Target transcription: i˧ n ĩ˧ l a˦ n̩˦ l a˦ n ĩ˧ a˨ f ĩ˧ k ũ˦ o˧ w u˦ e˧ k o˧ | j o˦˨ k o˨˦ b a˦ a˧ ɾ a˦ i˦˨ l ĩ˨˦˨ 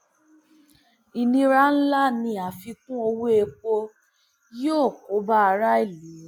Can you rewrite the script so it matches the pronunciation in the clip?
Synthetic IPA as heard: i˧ n ĩ˧ ɾ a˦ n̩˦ l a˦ n ĩ˧ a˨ f i˧ k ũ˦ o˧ w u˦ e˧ k͡p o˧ | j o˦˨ k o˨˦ b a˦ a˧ ɾ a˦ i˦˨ l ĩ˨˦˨

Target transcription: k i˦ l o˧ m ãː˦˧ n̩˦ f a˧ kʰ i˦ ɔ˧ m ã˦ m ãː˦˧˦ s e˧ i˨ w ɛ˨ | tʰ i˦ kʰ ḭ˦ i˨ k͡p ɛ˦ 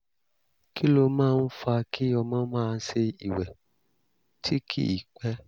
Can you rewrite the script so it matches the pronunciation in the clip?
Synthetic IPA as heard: k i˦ l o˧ m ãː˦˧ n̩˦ f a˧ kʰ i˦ ɔ˧ m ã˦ m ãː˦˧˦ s e˧ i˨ w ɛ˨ | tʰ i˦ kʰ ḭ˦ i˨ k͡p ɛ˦

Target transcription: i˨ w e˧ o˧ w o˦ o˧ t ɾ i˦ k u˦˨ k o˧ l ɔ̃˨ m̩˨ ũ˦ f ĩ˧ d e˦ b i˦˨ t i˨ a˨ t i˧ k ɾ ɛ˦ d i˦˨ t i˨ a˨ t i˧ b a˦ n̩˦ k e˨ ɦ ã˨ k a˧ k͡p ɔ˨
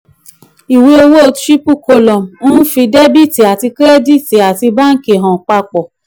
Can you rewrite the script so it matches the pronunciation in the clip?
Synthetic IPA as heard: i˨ w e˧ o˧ w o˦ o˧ t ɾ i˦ p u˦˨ k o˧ l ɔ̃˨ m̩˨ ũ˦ f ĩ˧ d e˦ b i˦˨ t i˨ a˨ t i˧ k ɾ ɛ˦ d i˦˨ t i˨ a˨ t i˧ b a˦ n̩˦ k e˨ ɦ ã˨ k͡p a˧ k͡p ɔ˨

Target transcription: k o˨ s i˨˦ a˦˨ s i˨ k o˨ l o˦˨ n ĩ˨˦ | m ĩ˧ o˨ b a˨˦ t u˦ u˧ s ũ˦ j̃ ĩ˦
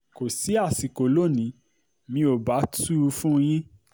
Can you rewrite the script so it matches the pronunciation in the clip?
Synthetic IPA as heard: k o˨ s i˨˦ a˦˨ s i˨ k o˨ l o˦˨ n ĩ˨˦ | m ĩ˧ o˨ b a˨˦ t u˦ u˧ f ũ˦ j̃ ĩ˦

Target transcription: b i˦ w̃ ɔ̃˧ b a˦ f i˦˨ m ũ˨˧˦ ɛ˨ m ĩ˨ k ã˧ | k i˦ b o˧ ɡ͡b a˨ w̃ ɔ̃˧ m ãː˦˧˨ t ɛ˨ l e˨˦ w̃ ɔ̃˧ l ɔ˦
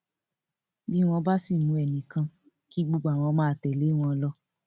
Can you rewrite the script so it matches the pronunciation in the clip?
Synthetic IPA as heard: b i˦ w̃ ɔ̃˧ b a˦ s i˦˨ m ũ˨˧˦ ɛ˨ n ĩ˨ k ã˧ | k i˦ ɡ͡b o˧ ɡ͡b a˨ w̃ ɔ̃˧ m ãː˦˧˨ t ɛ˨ l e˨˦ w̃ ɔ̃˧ l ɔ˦

